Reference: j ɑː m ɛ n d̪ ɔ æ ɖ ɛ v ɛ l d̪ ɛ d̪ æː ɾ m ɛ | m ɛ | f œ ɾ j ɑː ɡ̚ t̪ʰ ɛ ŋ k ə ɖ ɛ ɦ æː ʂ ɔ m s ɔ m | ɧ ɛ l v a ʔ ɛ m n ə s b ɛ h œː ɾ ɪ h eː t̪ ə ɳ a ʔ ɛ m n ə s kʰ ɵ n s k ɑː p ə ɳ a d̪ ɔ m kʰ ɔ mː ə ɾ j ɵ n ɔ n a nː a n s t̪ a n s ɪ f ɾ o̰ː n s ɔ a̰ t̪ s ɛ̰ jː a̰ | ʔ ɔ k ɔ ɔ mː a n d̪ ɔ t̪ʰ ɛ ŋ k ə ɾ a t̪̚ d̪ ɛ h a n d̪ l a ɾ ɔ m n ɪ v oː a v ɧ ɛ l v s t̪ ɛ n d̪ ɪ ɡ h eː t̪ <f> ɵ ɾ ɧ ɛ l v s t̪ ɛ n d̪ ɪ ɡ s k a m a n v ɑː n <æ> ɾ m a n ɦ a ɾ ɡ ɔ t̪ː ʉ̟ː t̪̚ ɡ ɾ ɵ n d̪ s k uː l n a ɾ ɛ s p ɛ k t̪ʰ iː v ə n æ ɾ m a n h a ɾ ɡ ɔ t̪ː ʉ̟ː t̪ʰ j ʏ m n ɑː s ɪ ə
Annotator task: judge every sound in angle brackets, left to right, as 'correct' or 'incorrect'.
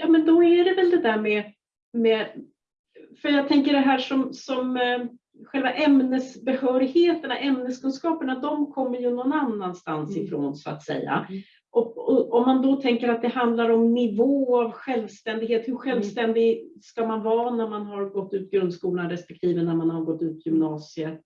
incorrect: h, correct

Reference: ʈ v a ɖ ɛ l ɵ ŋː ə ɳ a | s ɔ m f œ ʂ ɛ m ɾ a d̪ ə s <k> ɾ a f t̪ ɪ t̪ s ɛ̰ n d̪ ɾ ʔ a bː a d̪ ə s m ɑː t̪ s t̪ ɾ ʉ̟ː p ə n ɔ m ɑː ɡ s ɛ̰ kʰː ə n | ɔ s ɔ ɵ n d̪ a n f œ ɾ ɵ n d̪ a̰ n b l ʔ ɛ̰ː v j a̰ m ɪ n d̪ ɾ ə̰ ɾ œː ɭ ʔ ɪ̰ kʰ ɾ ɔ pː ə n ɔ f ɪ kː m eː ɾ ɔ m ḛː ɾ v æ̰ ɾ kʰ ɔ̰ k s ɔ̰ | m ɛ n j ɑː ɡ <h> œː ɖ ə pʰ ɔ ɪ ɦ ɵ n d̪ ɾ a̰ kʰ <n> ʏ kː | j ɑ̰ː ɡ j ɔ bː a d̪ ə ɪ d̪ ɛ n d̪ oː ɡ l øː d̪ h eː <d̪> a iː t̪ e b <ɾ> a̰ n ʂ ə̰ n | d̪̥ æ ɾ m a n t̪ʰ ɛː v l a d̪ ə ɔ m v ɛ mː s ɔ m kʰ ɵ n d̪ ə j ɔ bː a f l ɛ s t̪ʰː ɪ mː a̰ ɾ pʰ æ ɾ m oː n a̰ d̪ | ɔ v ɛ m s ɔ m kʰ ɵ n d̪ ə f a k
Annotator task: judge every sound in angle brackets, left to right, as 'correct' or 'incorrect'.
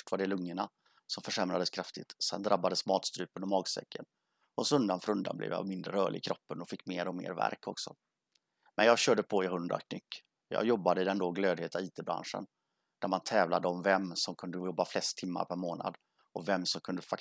incorrect: kʰ, incorrect: ɕ, correct, incorrect: t̪, correct

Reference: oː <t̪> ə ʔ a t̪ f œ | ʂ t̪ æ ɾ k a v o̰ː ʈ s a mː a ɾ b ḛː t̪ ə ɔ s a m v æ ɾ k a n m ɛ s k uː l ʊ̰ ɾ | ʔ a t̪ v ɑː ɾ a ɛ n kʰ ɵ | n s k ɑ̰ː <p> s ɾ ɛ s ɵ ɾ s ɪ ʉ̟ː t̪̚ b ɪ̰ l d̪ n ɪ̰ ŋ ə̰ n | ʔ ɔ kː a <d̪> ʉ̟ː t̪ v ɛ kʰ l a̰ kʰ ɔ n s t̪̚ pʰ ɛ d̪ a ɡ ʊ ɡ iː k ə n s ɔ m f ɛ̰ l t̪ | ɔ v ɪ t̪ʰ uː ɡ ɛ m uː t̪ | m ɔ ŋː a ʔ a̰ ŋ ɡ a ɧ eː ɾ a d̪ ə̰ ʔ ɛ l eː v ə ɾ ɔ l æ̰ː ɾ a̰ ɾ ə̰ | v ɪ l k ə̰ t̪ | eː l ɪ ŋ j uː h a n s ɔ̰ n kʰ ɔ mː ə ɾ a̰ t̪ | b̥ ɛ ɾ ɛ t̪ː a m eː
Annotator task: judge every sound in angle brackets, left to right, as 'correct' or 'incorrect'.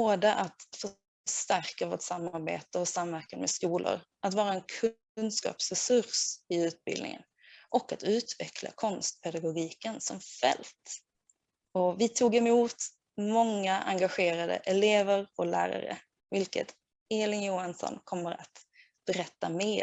incorrect: d̪, correct, incorrect: t̪

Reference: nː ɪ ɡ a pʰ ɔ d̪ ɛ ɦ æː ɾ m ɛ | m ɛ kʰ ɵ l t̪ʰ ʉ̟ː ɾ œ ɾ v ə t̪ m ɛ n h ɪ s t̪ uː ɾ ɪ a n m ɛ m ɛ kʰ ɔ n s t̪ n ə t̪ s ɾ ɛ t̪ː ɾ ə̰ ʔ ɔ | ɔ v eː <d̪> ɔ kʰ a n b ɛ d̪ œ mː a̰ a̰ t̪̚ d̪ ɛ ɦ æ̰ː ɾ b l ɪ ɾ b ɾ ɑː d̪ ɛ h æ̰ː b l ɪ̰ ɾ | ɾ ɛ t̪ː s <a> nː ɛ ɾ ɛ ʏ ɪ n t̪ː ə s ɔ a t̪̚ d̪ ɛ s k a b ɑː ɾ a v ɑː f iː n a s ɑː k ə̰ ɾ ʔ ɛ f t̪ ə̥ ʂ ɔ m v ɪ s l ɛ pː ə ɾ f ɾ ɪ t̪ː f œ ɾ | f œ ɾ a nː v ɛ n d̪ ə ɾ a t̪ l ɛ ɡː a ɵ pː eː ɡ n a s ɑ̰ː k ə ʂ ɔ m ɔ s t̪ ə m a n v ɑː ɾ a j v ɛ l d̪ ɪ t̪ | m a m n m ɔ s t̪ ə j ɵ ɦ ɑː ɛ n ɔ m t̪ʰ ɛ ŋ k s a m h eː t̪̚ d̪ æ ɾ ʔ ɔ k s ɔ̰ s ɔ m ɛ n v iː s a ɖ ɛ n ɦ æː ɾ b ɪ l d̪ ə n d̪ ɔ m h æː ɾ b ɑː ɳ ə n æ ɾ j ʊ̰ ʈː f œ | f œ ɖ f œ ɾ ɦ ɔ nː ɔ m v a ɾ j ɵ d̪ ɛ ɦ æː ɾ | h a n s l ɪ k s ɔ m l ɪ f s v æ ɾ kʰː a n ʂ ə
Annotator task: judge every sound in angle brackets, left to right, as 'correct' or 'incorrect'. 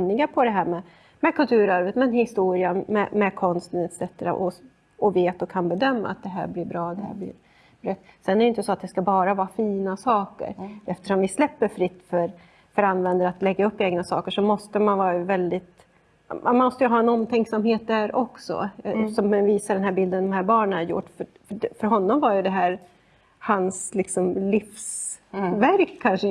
incorrect: t̪, incorrect: ɛ

